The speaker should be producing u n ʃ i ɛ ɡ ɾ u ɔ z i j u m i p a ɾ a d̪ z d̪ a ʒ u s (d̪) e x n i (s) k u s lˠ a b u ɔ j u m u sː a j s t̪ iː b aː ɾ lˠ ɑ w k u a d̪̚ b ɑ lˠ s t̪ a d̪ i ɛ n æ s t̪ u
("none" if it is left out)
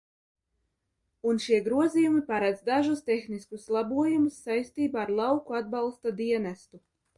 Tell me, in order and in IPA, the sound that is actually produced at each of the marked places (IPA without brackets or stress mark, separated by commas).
t̪, s